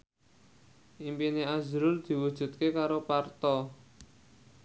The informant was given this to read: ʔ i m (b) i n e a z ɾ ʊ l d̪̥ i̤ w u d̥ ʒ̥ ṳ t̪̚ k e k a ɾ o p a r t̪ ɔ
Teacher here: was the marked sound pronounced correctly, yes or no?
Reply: no